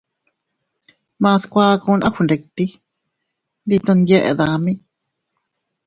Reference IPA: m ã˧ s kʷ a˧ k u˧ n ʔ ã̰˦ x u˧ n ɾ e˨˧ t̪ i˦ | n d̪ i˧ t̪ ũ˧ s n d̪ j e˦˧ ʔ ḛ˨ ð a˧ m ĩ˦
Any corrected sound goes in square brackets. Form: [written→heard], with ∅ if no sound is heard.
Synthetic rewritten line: m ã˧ s kʷ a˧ k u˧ n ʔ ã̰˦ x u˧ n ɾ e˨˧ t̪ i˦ | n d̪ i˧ t̪ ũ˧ [s→∅] n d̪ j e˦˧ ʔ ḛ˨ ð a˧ m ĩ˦